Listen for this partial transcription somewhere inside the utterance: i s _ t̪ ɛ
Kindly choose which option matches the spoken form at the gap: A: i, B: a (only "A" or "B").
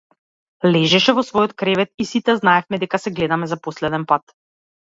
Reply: A